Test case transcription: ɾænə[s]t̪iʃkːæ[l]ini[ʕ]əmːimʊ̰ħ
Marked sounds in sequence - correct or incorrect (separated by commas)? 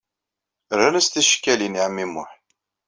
correct, correct, correct